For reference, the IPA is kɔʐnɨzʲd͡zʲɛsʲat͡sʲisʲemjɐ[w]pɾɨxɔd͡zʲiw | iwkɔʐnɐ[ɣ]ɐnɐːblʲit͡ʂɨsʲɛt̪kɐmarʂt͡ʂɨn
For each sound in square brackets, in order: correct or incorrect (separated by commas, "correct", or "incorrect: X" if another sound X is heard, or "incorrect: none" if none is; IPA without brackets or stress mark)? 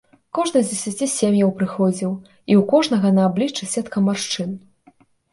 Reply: correct, correct